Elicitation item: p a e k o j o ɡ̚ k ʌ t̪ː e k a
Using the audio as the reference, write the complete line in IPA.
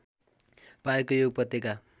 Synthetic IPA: p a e k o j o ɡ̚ p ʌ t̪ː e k a